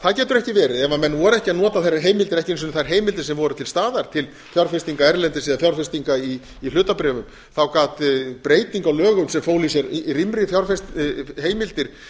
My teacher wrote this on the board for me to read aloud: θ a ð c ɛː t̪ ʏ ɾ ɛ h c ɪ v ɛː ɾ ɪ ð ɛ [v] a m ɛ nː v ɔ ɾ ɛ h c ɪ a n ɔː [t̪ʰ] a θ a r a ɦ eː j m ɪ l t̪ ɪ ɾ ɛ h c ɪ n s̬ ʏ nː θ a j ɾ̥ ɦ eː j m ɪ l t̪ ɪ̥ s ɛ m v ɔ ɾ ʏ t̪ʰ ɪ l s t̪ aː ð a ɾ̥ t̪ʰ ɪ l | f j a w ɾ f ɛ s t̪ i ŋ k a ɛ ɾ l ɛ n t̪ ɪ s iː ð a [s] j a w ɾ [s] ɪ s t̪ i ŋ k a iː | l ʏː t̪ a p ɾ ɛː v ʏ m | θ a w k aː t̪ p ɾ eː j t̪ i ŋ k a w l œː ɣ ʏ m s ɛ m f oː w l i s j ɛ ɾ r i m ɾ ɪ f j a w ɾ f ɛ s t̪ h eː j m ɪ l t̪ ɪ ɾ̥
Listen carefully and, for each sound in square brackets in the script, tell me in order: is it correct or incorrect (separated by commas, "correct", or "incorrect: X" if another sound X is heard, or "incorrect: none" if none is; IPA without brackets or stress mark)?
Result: correct, incorrect: t̪, incorrect: f, incorrect: f